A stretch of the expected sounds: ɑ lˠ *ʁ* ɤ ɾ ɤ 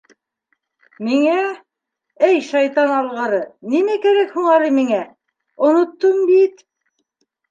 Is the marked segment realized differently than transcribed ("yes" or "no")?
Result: no